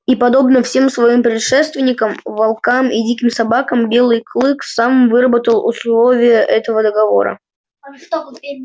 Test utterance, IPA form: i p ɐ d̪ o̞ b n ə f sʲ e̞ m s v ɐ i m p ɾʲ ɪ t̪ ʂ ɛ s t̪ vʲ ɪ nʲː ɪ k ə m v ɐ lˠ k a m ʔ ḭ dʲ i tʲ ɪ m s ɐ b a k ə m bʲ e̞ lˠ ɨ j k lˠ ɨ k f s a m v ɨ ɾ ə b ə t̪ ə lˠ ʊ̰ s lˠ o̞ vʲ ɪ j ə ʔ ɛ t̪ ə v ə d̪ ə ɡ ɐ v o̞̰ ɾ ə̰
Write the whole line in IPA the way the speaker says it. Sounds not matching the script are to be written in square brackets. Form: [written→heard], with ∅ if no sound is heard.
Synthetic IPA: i p ɐ d̪ o̞ b n ə f sʲ e̞ m s v ɐ i m p ɾʲ ɪ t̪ ʂ ɛ s t̪ vʲ ɪ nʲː ɪ k ə m v ɐ lˠ k a m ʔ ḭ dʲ i [tʲ→kʲ] ɪ m s ɐ b a k ə m bʲ e̞ lˠ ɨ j k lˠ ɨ k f s a m v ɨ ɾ ə b ə t̪ ə lˠ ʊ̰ s lˠ o̞ vʲ ɪ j ə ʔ ɛ t̪ ə v ə d̪ ə ɡ ɐ v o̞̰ ɾ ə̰